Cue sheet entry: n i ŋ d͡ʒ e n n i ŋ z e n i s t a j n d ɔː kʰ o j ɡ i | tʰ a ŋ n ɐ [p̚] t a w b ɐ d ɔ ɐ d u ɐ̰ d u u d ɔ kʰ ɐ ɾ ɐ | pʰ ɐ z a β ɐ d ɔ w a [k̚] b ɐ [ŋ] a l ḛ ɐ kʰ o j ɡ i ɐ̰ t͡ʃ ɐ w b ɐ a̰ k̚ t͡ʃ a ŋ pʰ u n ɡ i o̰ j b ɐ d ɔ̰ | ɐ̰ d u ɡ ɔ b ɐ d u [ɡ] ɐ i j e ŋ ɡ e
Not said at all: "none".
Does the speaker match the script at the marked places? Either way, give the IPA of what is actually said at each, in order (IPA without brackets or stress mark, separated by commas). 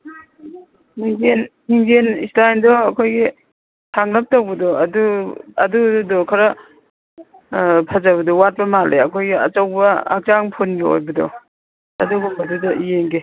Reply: p̚, t̚, m, d